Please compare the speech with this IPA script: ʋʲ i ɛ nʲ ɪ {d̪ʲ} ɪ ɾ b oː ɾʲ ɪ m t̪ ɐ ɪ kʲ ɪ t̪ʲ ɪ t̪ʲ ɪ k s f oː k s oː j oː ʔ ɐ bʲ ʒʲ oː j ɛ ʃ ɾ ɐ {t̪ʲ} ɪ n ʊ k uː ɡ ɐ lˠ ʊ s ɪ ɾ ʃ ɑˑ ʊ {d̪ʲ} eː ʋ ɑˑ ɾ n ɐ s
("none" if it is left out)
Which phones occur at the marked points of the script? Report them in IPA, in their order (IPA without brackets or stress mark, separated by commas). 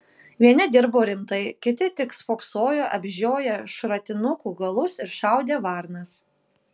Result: d̪ʲ, t̪ʲ, d̪ʲ